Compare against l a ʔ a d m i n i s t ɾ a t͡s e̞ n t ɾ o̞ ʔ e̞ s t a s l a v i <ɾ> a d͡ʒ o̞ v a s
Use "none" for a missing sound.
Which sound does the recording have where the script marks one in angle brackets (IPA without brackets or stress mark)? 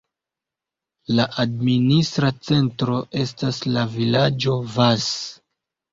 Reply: l